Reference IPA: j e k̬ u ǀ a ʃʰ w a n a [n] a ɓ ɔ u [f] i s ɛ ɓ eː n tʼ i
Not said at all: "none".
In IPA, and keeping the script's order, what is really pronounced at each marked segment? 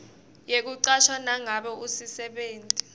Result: ŋ, s

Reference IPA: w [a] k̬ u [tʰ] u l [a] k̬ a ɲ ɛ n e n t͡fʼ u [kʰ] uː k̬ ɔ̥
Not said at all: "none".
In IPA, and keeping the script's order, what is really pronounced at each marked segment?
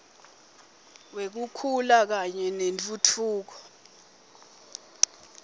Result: e, kʰ, a, tʰ

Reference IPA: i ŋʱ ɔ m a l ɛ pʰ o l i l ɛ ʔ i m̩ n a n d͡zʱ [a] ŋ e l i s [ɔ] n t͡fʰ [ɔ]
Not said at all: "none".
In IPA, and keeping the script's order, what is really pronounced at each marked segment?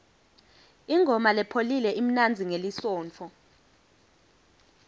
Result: i, ɔː, ɔ

